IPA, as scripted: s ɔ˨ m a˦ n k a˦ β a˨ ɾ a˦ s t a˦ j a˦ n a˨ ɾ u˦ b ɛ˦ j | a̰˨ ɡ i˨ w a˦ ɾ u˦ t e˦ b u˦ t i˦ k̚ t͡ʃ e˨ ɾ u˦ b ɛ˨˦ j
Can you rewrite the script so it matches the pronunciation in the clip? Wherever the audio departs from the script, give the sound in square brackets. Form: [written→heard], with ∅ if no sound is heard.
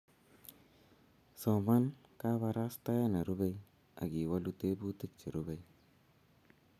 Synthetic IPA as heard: s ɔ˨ m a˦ n k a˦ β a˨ ɾ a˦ s t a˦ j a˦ n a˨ ɾ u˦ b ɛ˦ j | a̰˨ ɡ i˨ w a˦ [ɾ→l] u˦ t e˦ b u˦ t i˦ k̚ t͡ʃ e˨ ɾ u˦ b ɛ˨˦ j